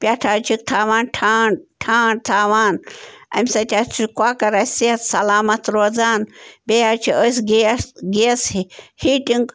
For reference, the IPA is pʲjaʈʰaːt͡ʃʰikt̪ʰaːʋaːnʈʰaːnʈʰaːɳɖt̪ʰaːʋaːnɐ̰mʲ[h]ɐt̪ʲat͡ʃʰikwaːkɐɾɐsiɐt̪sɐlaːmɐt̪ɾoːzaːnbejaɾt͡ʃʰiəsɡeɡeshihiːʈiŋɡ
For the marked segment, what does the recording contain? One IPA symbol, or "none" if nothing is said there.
s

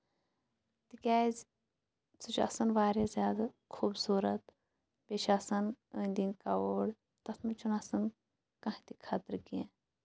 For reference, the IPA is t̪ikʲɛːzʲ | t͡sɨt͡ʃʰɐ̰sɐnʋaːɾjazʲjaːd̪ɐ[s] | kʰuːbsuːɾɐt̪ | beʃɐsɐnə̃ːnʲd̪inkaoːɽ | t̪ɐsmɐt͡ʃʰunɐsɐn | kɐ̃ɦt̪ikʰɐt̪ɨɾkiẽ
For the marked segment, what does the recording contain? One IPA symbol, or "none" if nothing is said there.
none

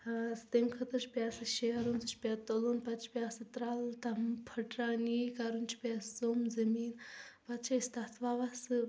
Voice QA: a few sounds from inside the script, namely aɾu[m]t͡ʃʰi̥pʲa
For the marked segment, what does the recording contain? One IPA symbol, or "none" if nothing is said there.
n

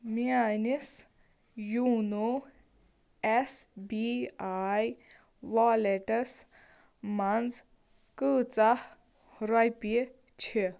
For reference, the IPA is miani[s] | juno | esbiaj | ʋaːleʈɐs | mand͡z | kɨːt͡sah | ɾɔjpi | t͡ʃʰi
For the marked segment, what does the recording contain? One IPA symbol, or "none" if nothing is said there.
s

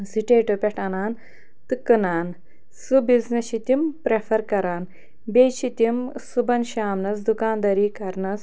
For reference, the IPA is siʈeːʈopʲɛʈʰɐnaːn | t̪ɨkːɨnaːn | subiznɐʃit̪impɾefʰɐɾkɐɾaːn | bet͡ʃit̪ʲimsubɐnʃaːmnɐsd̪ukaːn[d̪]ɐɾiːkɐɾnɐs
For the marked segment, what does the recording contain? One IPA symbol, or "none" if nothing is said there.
d̪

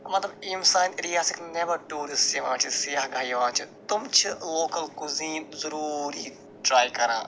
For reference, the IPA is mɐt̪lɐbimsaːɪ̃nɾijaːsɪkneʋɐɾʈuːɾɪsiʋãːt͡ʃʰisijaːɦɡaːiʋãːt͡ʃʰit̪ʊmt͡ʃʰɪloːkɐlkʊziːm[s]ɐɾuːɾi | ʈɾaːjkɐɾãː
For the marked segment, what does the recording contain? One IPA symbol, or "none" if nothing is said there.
z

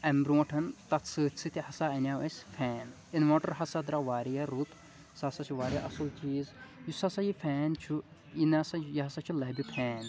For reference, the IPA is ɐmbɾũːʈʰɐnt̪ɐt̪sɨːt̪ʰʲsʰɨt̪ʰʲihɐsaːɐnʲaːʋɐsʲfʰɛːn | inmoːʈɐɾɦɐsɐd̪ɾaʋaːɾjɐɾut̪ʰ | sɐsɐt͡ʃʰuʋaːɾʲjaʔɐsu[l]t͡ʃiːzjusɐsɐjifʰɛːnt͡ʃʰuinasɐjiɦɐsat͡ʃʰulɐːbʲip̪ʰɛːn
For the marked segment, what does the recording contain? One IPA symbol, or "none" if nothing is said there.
l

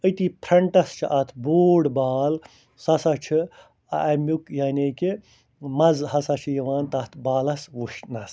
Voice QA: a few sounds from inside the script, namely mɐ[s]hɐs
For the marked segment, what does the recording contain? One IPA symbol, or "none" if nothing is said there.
z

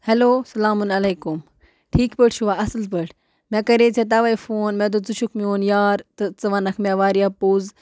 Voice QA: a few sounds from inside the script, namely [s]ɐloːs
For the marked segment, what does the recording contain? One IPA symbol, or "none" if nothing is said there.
h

